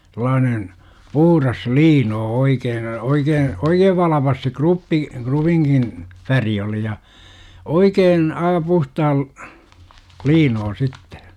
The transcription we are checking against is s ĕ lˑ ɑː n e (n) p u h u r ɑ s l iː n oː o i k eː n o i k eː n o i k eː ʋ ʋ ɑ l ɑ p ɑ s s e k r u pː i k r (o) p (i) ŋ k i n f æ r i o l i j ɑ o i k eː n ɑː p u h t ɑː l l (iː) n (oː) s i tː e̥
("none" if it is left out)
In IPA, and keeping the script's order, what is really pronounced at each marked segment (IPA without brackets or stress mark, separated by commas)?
n, u, i, iː, oː